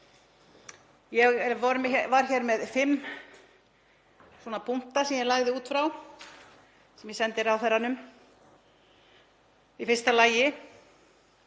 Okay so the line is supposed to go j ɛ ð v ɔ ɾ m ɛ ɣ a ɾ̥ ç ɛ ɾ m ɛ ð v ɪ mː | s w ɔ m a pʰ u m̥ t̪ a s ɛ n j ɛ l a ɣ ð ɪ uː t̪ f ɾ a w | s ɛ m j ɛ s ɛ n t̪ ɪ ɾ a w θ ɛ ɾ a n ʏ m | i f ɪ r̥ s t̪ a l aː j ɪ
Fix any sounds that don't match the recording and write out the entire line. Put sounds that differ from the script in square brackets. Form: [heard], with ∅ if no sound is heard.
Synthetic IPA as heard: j ɛ [ɣ] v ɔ ɾ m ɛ [v] a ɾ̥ ç ɛ ɾ m ɛ ð [f] ɪ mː | s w ɔ [n] a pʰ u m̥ t̪ a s ɛ [m] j ɛ l a ɣ ð ɪ uː t̪ f ɾ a w | s ɛ m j ɛ s ɛ n t̪ ɪ ɾ a w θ ɛ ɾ a n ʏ m | i f ɪ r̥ s t̪ a l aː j ɪ